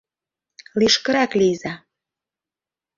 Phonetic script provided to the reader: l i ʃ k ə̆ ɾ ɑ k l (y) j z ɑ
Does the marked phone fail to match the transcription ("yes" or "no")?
yes